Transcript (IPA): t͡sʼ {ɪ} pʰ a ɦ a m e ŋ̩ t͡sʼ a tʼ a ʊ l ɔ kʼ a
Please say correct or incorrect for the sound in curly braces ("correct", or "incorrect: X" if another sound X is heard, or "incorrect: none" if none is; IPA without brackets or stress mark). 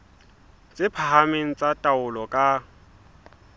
correct